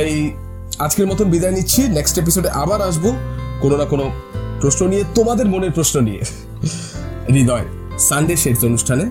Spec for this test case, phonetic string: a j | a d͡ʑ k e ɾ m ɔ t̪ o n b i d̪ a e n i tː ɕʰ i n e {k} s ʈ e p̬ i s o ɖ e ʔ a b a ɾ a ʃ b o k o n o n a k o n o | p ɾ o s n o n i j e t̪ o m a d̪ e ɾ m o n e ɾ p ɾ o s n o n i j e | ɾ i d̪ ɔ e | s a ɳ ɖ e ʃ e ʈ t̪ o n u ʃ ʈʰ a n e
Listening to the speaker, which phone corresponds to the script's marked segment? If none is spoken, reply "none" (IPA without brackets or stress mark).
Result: k